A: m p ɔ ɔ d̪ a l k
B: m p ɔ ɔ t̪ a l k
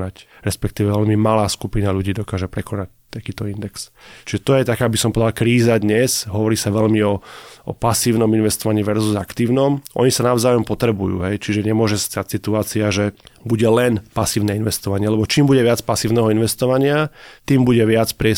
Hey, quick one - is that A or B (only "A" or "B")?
A